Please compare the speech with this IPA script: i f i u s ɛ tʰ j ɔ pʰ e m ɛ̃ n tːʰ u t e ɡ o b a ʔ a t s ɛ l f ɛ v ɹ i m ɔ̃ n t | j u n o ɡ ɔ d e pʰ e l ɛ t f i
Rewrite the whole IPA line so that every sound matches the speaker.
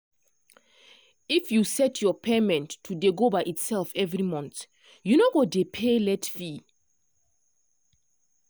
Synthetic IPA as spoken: i f j u s ɛ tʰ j ɔ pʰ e m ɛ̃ n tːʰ u d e ɡ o b a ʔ i t s ɛ l f ɛ v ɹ i m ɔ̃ n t | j u n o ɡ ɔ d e pʰ e l ɛ t f i